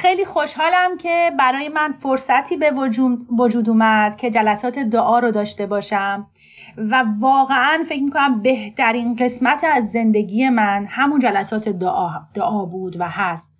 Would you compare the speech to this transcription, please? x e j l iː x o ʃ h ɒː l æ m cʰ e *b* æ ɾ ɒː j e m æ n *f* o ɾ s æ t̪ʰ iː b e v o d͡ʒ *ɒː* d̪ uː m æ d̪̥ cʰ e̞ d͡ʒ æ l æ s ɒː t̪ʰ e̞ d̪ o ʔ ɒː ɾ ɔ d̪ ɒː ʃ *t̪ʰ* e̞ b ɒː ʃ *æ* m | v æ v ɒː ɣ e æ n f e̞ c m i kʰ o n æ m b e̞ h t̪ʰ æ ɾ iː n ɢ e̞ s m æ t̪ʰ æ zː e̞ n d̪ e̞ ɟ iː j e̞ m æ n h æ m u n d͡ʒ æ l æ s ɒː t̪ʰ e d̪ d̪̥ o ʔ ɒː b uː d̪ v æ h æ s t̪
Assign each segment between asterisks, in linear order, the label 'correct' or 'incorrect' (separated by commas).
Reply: correct, correct, incorrect, incorrect, correct